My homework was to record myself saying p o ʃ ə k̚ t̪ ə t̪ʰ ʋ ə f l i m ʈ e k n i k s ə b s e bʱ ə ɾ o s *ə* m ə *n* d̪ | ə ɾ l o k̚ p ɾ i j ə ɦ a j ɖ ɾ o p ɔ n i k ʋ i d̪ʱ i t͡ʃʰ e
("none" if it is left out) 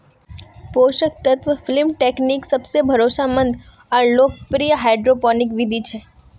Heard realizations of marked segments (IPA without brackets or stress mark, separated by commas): a, n